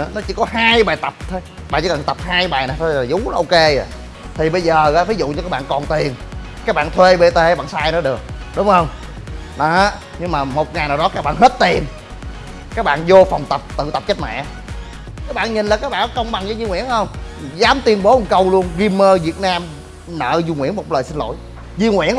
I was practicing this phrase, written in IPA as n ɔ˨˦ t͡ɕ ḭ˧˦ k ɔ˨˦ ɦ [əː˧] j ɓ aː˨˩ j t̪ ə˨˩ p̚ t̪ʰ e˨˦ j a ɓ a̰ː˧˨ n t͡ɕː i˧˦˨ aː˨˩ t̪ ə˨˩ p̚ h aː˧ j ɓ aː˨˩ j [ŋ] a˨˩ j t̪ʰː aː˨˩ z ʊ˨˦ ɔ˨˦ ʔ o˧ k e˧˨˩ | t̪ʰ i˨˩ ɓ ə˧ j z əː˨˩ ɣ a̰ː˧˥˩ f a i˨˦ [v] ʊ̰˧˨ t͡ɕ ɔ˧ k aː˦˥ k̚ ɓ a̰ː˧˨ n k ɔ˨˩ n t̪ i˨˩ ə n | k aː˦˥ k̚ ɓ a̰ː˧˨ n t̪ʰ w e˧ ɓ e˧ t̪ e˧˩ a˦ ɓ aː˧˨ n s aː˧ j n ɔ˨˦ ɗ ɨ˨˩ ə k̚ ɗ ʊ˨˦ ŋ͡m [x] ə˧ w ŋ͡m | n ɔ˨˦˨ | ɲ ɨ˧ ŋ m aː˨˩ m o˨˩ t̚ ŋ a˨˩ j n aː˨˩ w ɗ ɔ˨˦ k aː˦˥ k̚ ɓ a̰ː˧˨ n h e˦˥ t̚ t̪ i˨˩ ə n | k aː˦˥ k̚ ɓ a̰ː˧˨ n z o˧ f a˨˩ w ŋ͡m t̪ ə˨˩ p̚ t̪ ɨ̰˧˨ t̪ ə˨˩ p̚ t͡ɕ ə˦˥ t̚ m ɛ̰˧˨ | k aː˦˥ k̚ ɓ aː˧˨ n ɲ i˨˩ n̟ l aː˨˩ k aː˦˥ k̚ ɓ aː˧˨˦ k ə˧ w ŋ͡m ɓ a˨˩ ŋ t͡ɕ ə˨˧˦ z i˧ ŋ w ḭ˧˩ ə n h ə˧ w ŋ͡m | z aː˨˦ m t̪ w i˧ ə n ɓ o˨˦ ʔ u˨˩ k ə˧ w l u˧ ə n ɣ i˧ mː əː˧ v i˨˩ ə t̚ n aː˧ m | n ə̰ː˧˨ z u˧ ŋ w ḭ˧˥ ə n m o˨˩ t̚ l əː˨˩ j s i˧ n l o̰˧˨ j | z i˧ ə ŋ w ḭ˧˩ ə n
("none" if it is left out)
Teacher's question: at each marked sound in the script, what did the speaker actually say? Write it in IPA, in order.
aː˧, n, z, h

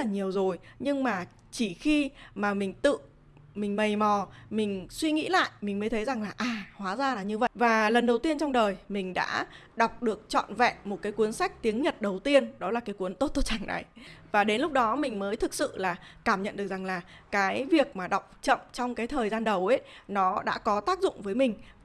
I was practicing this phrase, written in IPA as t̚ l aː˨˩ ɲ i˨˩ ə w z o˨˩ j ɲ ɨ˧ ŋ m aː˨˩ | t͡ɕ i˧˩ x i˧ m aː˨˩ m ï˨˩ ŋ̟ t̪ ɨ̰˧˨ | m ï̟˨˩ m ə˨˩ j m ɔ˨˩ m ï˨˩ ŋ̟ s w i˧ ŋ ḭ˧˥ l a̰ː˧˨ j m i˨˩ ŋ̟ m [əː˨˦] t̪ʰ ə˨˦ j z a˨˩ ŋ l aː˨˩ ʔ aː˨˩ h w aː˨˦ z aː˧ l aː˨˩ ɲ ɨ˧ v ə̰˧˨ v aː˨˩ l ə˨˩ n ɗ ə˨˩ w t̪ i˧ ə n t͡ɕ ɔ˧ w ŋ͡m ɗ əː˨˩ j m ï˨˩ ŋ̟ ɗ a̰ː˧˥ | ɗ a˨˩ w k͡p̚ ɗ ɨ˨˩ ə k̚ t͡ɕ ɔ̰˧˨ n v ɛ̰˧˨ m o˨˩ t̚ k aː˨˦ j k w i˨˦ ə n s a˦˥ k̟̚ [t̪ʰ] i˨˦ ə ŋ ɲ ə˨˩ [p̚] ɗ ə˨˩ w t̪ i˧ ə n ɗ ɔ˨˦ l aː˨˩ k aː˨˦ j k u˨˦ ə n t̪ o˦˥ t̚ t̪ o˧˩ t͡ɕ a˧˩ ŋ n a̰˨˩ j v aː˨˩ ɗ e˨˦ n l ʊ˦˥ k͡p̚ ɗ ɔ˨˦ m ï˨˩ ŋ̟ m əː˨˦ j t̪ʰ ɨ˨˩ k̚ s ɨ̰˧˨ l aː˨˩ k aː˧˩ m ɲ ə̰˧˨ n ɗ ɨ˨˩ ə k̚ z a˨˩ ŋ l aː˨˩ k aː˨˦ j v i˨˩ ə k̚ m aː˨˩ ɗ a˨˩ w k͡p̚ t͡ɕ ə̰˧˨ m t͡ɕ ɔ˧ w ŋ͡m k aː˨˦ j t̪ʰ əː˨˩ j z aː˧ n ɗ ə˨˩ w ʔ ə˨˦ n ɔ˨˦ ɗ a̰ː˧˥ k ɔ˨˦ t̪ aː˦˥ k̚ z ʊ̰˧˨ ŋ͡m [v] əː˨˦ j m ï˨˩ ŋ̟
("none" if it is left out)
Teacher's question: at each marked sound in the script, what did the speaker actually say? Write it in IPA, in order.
əː˨˦, t̪, t̚, v

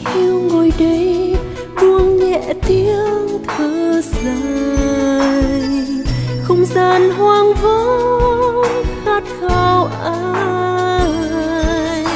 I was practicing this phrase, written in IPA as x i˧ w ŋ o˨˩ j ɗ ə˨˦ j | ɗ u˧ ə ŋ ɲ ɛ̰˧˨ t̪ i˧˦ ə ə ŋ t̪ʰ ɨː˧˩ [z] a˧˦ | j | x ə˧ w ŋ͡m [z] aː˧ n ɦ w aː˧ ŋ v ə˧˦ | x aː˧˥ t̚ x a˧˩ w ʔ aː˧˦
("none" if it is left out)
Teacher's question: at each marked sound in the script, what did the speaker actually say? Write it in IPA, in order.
z, z

